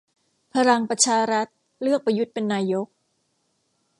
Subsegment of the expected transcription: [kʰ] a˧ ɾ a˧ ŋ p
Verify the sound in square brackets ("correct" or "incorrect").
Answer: incorrect